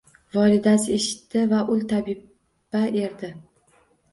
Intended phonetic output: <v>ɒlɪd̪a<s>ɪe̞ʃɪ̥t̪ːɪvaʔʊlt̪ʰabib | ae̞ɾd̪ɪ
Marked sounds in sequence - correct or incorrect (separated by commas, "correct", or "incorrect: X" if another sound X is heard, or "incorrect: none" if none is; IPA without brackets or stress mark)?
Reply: correct, correct